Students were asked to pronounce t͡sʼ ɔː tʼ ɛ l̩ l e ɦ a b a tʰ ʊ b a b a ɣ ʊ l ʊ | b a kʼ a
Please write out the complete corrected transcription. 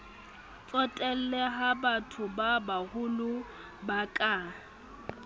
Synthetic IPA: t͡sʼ ɔ tʼ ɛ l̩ l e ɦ a b a tʰ ʊ b a b a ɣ ʊ l ʊ | b a kʼ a